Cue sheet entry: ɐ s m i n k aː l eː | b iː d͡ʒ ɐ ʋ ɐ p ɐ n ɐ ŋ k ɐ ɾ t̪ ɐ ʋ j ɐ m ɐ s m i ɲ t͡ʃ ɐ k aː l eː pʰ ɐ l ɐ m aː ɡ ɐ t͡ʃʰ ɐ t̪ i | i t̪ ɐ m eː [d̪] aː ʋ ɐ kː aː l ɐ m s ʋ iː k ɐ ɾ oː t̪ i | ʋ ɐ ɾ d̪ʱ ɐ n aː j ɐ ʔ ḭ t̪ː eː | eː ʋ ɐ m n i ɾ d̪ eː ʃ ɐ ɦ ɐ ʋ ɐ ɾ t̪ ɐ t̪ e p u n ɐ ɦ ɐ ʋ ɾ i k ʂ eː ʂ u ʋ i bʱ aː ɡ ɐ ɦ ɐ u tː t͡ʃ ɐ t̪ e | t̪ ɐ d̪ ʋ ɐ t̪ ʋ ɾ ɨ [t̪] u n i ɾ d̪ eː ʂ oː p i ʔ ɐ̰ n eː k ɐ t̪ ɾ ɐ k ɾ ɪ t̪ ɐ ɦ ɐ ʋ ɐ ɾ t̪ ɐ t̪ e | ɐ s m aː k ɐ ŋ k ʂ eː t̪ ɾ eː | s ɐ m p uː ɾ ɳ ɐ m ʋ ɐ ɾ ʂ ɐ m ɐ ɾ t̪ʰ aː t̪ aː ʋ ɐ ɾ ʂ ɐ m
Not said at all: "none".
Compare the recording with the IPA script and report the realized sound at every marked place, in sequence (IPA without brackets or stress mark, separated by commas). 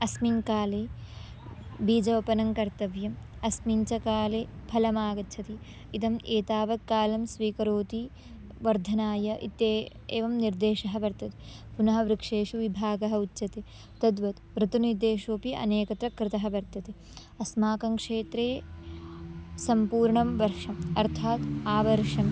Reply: t̪, t̪